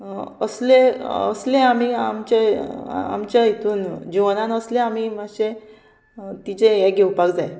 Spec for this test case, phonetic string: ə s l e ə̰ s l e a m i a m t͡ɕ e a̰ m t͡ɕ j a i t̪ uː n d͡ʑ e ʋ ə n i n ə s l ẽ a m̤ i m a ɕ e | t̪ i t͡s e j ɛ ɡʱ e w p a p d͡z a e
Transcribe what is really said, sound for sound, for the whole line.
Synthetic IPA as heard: ə s l e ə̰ s l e a m i a m t͡ɕ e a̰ m t͡ɕ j a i t̪ uː n d͡ʑ i ʋ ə n a n ə s l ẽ a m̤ i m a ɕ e | t̪ i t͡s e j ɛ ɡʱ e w p a k d͡z a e

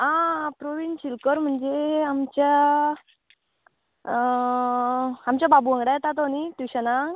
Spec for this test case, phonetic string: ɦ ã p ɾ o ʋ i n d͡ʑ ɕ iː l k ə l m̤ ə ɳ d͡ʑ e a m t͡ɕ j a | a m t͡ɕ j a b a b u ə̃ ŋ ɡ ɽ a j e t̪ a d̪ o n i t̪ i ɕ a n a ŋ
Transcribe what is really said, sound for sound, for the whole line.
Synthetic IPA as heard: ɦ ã p ɾ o ʋ i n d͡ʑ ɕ i l k ə ɾ m̤ ə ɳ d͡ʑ e a m t͡ɕ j a | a m t͡ɕ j a b a b u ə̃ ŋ ɡ ɽ a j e t̪ a t̪ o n i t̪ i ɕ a n a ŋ

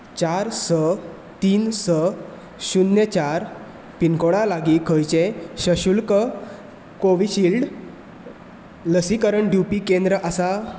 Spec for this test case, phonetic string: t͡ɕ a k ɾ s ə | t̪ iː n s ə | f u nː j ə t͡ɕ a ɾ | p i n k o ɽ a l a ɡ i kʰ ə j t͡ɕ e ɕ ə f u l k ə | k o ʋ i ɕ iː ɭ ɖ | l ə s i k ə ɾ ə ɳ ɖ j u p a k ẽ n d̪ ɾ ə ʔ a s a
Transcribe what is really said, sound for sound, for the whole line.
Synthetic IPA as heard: t͡ɕ a ɾ s ə | t̪ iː n s ə | ɕ u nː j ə t͡ɕ a ɾ | p i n k o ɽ a l a ɡ i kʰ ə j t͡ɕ e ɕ ə ɕ u l k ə | k o ʋ i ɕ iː l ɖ | l ə s i k ə ɾ ə ɳ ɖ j u p i k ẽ n d̪ ɾ ə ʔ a s a

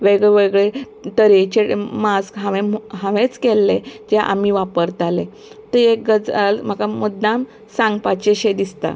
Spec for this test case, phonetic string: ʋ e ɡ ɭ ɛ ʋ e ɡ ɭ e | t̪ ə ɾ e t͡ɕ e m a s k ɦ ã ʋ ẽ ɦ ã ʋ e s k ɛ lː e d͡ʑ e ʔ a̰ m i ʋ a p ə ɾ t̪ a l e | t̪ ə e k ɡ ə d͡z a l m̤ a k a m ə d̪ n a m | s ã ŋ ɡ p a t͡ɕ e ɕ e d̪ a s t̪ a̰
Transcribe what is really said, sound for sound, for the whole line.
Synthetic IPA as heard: ʋ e ɡ ɭ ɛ ʋ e ɡ ɭ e | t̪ ə ɾ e t͡ɕ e m a s k ɦ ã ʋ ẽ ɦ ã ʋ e t͡s k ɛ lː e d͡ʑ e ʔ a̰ m i ʋ a p ə ɾ t̪ a l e | t̪ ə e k ɡ ə d͡z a l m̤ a k a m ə d̪ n a m | s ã ŋ ɡ p a t͡ɕ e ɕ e d̪ i s t̪ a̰

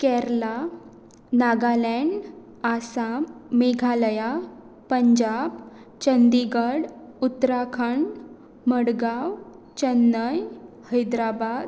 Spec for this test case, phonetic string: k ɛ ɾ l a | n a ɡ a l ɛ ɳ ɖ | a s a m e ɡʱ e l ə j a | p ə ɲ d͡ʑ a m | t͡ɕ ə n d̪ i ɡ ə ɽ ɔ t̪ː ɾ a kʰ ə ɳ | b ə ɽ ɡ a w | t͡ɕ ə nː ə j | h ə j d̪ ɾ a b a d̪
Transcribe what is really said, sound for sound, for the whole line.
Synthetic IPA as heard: k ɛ ɾ l a | n a ɡ a l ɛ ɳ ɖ | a s a m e ɡʱ a l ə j a | p ə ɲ d͡ʑ a b | t͡ɕ ə n d̪ i ɡ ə ɽ u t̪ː ɾ a kʰ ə ɳ | m ə ɽ ɡ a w | t͡ɕ ə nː ə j | h ə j d̪ ɾ a b a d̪

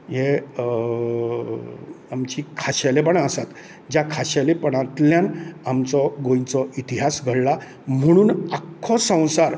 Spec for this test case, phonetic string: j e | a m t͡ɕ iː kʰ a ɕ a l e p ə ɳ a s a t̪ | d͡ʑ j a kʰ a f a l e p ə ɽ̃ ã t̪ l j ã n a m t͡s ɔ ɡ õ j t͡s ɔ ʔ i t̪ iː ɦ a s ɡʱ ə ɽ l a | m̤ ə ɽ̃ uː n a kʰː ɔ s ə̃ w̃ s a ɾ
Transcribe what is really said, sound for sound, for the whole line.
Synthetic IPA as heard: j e | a m t͡ɕ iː kʰ a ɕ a l e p ə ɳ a s a t̪ | d͡ʑ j a kʰ a ɕ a l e p ə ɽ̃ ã t̪ l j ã n a m t͡s ɔ ɡ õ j t͡s ɔ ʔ i t̪ i ɦ a s ɡʱ ə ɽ l a | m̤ ə ɽ̃ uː n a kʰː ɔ s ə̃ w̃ s a ɾ

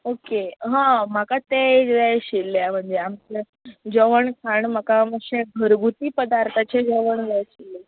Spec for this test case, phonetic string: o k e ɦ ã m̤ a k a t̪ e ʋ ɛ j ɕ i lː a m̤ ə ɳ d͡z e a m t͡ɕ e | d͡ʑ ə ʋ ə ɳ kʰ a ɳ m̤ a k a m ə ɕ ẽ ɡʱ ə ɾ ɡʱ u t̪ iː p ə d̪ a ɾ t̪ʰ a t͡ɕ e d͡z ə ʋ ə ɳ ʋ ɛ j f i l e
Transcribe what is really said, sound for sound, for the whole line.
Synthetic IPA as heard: o k e ɦ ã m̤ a k a t̪ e ʋ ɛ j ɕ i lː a m̤ ə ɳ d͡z e a m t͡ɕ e | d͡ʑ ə ʋ ə ɳ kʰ a ɳ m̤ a k a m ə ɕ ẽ ɡʱ ə ɾ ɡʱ u t̪ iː p ə d̪ a ɾ t̪ʰ a t͡ɕ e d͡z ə ʋ ə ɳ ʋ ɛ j ɕ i l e

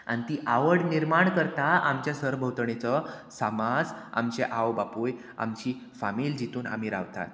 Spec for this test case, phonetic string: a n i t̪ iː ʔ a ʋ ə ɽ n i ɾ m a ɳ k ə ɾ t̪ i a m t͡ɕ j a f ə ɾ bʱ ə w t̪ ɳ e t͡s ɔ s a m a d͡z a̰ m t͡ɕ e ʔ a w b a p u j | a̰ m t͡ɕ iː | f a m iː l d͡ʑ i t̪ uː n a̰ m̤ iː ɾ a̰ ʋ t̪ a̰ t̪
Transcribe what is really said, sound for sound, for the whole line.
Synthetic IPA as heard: a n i t̪ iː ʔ a ʋ ə ɽ n i ɾ m a ɳ k ə ɾ t̪ a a m t͡ɕ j a s ə ɾ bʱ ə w t̪ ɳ e t͡s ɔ s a m a d͡z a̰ m t͡ɕ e ʔ a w b a p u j | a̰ m t͡ɕ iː | f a m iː l d͡ʑ i t̪ uː n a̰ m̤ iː ɾ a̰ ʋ t̪ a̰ t̪

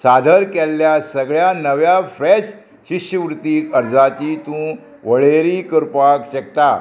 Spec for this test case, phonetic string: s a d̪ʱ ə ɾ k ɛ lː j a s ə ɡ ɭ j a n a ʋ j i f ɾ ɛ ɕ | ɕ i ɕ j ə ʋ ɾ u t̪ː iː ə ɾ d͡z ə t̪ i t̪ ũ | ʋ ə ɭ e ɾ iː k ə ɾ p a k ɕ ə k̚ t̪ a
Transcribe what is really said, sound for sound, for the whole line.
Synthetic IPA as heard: s a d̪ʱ ə ɾ k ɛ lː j a s ə ɡ ɭ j a n ə ʋ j a f ɾ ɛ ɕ | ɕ i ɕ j ə ʋ ɾ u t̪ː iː ə ɾ d͡z a t̪ i t̪ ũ | ʋ ə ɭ e ɾ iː k ə ɾ p a k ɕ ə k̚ t̪ a

